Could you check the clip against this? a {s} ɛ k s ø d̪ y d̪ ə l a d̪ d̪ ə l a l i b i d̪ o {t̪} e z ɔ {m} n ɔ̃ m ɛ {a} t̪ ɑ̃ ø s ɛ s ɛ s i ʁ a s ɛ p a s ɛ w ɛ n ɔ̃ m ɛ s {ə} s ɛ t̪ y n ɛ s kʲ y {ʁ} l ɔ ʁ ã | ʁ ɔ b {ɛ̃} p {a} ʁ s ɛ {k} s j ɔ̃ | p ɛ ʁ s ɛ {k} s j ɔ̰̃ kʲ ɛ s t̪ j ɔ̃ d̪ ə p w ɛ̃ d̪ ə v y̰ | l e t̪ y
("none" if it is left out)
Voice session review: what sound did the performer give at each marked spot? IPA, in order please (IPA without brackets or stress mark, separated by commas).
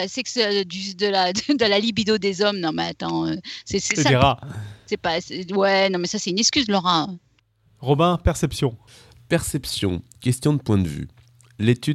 s, d̪, m, a, a, z, ɛ̃, ɛ, p, p